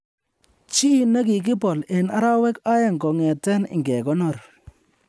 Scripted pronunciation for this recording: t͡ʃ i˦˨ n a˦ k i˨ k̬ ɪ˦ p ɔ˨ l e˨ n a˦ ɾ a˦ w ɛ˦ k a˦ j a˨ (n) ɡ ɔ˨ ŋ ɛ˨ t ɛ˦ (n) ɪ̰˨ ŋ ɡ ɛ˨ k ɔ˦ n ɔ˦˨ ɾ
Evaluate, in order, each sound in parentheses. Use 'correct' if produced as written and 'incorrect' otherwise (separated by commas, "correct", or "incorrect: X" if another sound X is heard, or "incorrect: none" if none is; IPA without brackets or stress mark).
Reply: incorrect: ŋ, correct